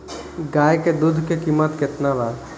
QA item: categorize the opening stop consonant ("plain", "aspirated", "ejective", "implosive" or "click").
plain